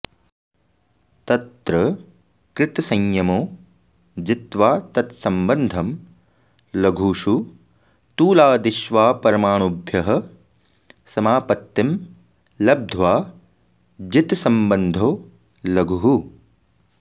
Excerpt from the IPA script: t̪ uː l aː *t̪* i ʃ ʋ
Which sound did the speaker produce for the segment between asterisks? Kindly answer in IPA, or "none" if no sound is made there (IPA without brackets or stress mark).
d̪